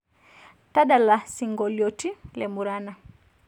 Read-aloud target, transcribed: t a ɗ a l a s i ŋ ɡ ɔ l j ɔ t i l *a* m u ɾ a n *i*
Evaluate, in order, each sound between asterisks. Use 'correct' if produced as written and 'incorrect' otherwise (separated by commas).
incorrect, incorrect